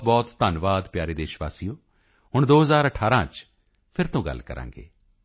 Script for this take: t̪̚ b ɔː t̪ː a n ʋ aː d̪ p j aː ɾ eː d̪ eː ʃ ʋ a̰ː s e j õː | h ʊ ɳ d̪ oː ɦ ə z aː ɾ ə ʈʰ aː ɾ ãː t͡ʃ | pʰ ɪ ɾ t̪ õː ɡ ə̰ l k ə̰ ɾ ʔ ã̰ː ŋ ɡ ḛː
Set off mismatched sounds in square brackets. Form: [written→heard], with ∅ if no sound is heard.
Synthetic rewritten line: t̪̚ b ɔː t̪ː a n ʋ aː d̪ p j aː ɾ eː d̪ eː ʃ ʋ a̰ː s [e→i] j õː | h ʊ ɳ d̪ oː ɦ ə z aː ɾ ə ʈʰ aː ɾ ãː t͡ʃ | pʰ ɪ ɾ t̪ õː ɡ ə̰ l k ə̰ ɾ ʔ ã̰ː ŋ ɡ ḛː